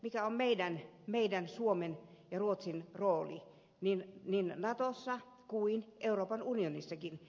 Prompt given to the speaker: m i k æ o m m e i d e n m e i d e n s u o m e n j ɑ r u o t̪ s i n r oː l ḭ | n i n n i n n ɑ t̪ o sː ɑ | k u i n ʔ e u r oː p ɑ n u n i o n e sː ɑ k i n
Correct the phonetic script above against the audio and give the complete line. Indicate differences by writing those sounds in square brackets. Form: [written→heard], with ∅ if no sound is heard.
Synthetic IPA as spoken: m i k æ o m m e i d [e→æ] n m e i d [e→æ] n s u o m e n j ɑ r u o t̪ s i n r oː l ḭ | n i n n i n n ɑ t̪ o sː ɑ | k u i n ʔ e u r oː p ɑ n u n i o n [e→i] sː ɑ k i n